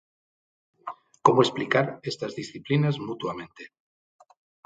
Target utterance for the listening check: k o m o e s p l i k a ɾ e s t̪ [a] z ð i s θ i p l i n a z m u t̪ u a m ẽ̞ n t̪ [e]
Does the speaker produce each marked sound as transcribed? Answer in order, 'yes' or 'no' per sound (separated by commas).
yes, yes